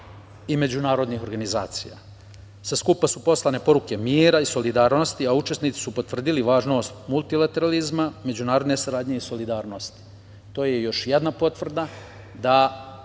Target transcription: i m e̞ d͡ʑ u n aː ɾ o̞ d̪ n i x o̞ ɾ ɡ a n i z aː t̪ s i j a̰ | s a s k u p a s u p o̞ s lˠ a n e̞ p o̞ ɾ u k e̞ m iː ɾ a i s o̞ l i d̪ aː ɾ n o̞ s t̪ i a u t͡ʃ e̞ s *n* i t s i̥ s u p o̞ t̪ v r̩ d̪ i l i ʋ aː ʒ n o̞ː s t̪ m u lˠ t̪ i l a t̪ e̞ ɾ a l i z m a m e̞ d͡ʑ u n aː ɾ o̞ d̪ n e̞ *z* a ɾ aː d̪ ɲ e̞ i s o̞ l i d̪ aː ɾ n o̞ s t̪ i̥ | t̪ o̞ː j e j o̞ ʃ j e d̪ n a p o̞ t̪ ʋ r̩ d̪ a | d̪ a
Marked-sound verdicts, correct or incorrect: correct, incorrect: s

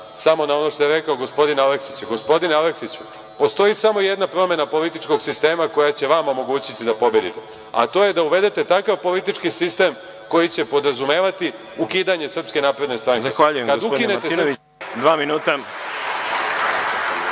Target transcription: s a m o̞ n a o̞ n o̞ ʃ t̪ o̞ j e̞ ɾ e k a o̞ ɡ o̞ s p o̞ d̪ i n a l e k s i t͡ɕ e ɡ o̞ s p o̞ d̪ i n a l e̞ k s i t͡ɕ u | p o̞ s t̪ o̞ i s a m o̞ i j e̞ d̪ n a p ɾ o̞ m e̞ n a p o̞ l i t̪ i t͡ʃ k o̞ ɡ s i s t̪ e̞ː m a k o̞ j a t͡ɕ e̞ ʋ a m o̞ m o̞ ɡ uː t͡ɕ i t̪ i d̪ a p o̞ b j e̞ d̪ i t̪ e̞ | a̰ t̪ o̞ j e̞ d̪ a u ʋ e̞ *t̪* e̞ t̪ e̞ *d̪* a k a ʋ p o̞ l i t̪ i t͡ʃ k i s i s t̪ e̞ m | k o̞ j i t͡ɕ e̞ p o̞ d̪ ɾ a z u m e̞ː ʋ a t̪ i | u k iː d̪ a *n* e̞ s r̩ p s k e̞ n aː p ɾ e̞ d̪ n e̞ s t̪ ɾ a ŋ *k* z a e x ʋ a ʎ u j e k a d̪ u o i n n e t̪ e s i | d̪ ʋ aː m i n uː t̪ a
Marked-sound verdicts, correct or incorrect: incorrect: d̪, incorrect: t̪, incorrect: ɲ, correct

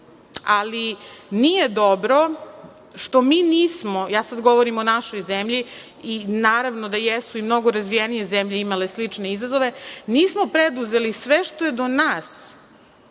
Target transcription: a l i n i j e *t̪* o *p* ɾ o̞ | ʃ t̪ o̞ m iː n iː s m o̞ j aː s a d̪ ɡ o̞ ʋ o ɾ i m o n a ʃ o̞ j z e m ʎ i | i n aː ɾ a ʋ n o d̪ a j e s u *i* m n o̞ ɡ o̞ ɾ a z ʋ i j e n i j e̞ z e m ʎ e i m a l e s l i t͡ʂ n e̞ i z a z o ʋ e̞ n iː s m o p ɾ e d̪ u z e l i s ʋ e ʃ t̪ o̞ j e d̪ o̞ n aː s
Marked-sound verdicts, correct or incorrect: incorrect: d̪, incorrect: b, correct

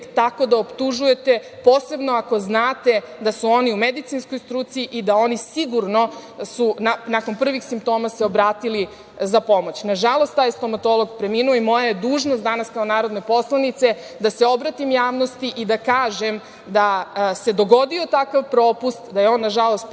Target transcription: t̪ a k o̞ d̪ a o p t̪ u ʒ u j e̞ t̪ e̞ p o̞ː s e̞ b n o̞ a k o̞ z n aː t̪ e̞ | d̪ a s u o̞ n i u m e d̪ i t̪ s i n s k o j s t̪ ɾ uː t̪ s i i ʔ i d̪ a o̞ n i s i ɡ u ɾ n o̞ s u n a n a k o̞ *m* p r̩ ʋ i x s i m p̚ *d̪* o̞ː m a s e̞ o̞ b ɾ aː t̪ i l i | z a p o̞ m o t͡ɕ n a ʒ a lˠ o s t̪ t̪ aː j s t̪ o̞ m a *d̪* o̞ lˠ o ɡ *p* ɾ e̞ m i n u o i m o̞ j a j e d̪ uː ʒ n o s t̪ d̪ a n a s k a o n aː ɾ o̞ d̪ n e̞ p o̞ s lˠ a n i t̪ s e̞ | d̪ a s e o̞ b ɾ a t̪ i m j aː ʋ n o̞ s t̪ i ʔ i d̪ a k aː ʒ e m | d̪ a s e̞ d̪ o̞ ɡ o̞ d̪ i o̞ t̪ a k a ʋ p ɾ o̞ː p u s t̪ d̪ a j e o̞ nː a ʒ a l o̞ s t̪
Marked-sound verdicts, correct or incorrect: incorrect: n, incorrect: t̪, incorrect: t̪, correct

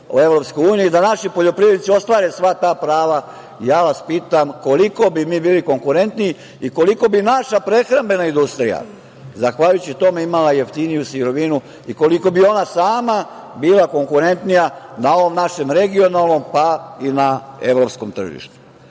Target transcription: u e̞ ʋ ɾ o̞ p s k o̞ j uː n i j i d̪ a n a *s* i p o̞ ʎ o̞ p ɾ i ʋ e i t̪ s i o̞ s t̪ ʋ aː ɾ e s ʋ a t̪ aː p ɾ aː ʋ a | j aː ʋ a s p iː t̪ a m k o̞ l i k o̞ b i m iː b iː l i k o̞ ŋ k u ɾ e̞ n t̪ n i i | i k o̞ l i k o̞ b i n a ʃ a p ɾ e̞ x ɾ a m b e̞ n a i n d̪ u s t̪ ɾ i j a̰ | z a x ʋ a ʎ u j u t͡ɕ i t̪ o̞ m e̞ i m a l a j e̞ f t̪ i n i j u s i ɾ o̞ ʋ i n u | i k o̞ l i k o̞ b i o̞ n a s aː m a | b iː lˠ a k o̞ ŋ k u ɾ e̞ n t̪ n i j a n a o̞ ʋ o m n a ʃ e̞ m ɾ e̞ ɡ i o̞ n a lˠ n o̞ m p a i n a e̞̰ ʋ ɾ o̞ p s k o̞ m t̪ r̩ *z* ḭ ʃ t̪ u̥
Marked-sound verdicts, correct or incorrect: incorrect: ʃ, incorrect: ʒ

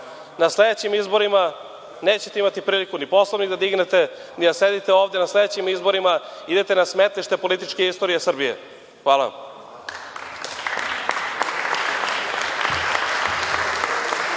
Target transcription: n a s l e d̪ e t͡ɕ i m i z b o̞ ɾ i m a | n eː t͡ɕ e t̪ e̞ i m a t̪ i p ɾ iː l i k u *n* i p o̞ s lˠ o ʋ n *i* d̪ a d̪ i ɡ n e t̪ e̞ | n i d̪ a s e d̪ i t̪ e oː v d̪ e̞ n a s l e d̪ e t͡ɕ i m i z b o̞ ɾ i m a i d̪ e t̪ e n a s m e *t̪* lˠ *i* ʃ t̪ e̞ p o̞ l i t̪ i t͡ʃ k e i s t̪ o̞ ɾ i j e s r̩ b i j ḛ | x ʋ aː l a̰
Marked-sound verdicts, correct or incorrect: correct, correct, correct, correct

